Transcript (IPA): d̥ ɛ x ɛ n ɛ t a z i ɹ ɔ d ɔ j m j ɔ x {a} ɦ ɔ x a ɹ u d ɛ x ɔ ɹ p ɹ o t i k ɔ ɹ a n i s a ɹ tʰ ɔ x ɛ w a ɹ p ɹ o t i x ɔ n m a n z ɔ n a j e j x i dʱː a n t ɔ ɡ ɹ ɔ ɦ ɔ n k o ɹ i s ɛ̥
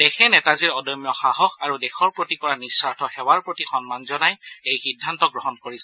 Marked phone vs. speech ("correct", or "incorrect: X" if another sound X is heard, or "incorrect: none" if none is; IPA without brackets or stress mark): correct